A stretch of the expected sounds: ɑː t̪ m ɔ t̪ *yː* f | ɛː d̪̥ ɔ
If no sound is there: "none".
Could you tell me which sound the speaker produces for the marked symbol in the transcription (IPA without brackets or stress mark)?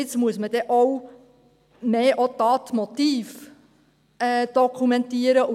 iː